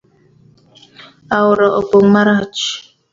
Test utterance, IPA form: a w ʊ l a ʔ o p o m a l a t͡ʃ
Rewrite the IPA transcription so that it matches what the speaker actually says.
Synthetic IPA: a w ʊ ɾ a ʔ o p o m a ɾ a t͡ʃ